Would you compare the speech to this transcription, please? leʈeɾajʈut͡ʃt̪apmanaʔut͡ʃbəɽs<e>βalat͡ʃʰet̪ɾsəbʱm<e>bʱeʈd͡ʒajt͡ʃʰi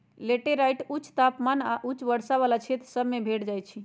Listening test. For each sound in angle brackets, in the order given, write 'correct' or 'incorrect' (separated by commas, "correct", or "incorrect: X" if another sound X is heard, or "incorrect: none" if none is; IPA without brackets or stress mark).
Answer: incorrect: a, correct